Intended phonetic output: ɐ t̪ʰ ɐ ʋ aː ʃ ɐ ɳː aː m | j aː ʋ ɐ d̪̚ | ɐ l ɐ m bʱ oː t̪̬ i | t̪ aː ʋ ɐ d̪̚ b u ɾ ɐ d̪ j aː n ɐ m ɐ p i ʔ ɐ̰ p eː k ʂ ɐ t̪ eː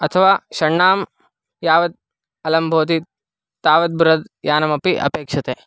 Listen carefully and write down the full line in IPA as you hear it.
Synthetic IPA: ɐ t̪ʰ ɐ ʋ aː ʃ ɐ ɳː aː m | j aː ʋ ɐ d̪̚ | ɐ l ɐ m bʱ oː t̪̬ i | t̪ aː ʋ ɐ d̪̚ b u ɾ ɐ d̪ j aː n ɐ m ɐ p i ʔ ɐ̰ p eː k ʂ ɐ t̪ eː